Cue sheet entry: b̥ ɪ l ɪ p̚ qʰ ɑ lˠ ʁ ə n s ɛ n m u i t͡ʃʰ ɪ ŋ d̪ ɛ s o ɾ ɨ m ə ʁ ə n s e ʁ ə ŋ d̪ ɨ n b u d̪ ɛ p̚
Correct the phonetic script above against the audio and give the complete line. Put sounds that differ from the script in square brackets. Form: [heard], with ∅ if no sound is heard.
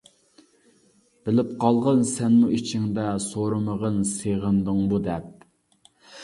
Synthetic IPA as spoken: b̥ ɪ l ɪ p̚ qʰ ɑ lˠ ʁ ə n s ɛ n m u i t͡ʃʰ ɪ ŋ d̪ ɛ s o ɾ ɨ m ə ʁ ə n s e ʁ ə [n] d̪ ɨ [ŋ] b u d̪ ɛ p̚